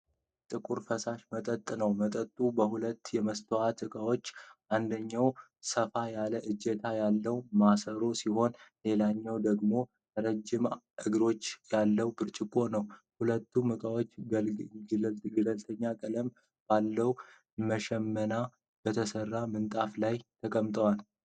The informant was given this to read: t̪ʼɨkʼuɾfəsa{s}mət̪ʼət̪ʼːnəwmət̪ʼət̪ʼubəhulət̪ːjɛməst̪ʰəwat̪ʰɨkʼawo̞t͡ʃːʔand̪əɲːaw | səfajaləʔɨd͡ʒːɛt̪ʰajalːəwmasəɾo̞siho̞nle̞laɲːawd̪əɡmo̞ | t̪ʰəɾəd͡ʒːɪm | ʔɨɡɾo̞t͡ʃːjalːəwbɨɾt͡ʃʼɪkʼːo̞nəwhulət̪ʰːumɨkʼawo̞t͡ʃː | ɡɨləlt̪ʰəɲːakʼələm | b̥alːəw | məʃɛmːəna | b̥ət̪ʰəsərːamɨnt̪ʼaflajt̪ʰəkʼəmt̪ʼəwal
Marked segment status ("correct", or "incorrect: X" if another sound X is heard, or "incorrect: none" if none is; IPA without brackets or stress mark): incorrect: ʃ